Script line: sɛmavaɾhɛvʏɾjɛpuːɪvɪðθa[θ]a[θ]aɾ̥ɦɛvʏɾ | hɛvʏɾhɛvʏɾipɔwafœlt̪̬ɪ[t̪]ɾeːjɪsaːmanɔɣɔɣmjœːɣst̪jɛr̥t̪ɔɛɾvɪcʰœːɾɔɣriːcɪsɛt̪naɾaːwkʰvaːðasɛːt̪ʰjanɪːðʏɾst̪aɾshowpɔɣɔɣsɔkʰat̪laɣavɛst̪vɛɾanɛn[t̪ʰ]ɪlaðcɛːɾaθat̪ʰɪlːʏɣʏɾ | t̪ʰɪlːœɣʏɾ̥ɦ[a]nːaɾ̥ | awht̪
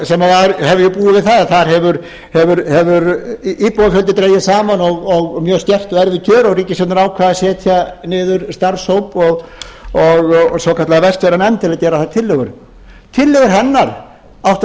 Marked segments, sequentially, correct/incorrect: incorrect, correct, correct, incorrect, incorrect

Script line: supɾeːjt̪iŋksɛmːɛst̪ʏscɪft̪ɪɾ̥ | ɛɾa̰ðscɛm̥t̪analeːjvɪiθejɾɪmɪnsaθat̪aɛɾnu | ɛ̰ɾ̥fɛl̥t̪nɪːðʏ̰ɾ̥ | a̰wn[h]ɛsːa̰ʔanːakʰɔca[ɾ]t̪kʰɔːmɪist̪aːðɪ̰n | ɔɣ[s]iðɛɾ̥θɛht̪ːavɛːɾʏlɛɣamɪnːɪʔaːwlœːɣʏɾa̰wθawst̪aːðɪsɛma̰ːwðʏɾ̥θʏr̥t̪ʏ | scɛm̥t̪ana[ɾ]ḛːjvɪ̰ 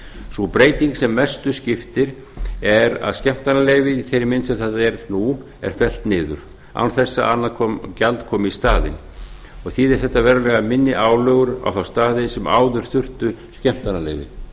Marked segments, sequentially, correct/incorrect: incorrect, incorrect, incorrect, incorrect

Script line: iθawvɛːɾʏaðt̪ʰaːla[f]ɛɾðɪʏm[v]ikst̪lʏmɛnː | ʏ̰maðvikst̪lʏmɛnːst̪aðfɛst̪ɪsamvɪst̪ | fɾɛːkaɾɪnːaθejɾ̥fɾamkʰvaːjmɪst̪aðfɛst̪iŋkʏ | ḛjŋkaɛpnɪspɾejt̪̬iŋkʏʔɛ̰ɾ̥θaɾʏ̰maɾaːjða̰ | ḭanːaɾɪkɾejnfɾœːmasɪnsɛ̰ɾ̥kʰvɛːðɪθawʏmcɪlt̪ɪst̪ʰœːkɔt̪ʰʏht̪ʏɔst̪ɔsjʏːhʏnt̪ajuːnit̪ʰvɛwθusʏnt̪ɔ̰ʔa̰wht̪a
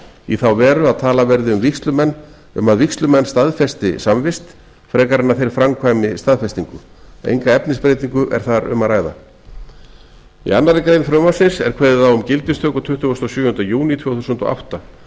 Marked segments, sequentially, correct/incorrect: incorrect, correct

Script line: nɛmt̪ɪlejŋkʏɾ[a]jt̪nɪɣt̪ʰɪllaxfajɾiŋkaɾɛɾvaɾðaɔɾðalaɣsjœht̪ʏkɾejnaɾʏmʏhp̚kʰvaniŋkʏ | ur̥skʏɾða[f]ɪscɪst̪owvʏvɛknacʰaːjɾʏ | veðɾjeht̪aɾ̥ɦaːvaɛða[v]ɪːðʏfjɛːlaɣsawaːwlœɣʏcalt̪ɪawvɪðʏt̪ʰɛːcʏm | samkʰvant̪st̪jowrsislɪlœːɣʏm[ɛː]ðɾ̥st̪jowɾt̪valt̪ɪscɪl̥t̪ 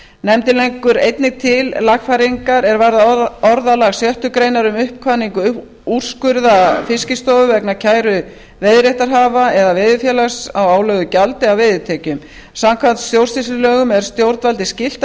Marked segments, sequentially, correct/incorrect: incorrect, correct, correct, incorrect

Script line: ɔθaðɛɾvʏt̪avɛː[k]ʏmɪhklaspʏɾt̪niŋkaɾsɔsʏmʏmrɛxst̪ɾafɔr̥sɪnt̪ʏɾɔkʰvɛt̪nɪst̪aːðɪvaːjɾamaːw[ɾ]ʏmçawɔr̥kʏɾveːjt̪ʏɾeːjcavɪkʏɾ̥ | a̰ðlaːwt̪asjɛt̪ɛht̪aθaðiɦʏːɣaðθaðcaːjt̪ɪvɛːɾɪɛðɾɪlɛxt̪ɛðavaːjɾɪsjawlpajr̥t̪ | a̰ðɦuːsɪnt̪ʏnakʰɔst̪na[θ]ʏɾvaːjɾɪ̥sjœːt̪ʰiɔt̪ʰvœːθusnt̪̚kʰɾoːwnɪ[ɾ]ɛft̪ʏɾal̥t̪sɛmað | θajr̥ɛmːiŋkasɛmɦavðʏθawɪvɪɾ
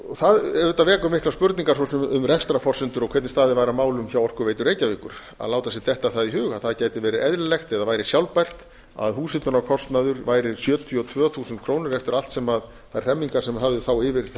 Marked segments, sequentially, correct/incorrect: correct, incorrect, incorrect, correct

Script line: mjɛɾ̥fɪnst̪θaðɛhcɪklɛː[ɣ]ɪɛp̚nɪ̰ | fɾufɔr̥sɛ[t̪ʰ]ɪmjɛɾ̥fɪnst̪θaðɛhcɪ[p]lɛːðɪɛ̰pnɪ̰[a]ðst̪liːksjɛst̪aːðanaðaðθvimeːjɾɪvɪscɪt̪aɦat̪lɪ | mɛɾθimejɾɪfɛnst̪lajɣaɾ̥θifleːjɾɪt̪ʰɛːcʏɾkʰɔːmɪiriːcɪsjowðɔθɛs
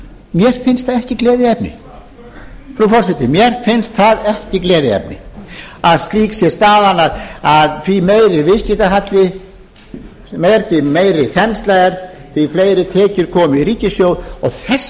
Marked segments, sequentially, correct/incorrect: incorrect, incorrect, incorrect, correct

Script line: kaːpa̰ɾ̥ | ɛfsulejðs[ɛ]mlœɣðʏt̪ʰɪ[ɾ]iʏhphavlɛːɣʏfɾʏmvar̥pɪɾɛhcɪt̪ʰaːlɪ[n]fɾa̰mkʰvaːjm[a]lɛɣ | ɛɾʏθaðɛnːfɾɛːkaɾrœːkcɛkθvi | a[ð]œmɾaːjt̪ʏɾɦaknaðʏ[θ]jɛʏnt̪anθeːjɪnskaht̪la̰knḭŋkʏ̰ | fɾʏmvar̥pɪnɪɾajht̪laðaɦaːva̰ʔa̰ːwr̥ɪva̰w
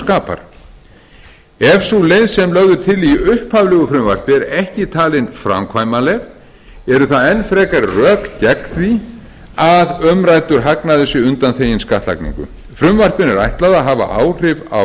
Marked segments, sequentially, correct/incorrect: correct, incorrect, correct, correct, correct, incorrect

